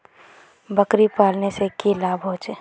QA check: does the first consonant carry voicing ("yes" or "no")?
yes